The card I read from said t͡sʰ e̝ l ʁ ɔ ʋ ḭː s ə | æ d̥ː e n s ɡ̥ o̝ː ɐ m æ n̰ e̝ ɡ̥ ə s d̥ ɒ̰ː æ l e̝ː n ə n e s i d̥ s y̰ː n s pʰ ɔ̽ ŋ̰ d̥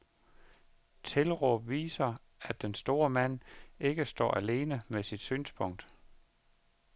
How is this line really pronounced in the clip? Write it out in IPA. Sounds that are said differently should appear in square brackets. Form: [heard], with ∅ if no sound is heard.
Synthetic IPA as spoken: t͡sʰ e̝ l ʁ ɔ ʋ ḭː s [ɐ] | æ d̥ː e n s [d̥] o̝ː ɐ m æ n̰ e̝ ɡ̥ ə s d̥ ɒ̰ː æ l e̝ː n ə [m] e s i d̥ s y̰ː n s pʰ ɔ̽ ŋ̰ d̥